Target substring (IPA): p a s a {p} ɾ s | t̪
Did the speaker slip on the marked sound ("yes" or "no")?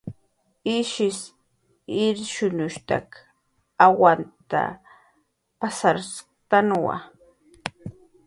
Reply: yes